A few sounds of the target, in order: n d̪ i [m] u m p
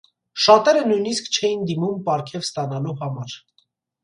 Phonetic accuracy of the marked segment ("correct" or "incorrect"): correct